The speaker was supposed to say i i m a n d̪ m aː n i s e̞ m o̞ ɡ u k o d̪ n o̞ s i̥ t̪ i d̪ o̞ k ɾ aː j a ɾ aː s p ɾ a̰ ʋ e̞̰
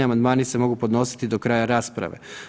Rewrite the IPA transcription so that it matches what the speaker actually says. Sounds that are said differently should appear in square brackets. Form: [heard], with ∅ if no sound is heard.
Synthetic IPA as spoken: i [a] m a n d̪ m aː n i s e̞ m o̞ ɡ u [p] o d̪ n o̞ s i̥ t̪ i d̪ o̞ k ɾ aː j a ɾ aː s p ɾ a̰ ʋ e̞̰